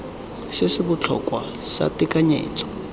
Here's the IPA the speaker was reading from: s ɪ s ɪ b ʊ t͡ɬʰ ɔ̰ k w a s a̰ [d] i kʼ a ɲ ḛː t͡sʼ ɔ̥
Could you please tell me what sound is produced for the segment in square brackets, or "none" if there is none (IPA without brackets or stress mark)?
t